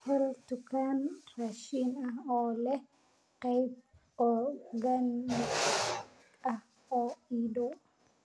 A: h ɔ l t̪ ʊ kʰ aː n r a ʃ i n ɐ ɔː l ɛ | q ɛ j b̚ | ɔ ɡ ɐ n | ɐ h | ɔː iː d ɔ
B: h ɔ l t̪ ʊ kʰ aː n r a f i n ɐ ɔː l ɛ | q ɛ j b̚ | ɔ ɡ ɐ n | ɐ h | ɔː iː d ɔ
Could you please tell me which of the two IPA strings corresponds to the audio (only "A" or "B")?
A